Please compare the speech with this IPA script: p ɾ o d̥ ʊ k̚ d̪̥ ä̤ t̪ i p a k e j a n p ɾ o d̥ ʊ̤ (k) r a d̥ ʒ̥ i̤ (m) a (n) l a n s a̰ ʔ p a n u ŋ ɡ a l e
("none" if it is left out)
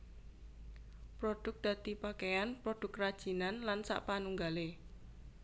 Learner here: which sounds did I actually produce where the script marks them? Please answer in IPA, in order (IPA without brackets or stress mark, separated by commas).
k, n, n